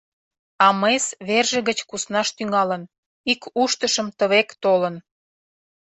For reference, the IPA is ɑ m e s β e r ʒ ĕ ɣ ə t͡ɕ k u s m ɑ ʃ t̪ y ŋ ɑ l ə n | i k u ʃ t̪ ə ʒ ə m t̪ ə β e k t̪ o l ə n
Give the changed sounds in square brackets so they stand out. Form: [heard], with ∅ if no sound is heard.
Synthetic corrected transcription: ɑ m e s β e r ʒ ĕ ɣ ə t͡ɕ k u s [n] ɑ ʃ t̪ y ŋ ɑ l ə n | i k u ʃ t̪ ə [ʃ] ə m t̪ ə β e k t̪ o l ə n